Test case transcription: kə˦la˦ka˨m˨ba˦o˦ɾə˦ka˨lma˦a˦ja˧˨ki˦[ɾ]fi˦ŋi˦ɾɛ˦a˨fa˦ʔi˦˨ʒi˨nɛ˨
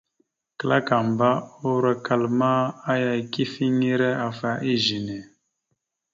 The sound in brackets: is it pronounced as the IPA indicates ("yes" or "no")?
no